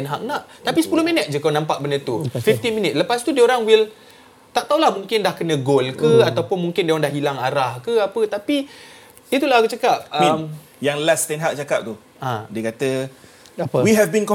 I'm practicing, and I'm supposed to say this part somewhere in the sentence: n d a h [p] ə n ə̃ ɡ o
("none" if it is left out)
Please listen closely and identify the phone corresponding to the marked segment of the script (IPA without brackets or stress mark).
k